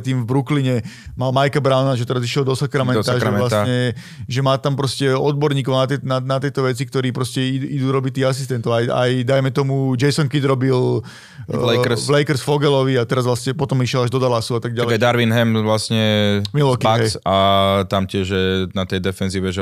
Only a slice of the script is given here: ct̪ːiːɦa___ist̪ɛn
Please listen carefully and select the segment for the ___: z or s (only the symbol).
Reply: s